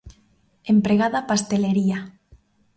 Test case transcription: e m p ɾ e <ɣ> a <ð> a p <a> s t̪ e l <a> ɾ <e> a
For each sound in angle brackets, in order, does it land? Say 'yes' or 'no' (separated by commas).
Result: yes, yes, yes, no, no